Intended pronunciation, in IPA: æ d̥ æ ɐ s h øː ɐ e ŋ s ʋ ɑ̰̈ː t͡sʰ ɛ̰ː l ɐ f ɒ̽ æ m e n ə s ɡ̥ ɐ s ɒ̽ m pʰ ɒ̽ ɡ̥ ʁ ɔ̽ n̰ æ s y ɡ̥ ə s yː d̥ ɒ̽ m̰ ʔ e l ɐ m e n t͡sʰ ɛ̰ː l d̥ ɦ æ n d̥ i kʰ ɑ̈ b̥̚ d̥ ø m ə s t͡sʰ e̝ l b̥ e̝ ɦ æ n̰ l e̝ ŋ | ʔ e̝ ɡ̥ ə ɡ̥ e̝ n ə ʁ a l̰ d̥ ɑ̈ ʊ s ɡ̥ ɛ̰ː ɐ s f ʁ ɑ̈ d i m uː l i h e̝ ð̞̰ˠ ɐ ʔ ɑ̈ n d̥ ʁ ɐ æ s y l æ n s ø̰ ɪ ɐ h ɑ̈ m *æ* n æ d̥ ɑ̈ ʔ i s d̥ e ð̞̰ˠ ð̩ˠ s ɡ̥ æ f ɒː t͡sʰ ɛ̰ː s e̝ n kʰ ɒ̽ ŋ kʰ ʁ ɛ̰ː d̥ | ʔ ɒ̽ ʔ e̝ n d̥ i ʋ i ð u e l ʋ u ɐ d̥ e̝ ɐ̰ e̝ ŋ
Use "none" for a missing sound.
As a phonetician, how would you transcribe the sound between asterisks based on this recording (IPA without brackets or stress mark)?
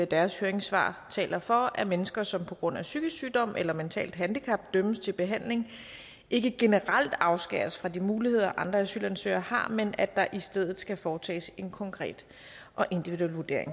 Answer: e